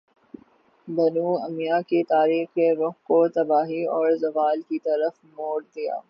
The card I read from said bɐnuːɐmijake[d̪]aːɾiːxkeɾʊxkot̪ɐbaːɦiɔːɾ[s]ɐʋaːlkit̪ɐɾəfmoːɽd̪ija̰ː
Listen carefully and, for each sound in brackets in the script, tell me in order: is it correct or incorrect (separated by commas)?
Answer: incorrect, incorrect